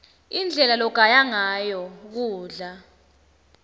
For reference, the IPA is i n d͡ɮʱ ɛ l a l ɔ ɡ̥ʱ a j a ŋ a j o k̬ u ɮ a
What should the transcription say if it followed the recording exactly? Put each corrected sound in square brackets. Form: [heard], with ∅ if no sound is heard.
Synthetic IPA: i n d͡ɮʱ ɛ l a l ɔ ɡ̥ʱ a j a ŋ a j [ɔ] k̬ [uː] ɮ a